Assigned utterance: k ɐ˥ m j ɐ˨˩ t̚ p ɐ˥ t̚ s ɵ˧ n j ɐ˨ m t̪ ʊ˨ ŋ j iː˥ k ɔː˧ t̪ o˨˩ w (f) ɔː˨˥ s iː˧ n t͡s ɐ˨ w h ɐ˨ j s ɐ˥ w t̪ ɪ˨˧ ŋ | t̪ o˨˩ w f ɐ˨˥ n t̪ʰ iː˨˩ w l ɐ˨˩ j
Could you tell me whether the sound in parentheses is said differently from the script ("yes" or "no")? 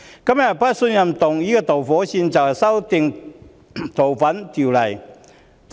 no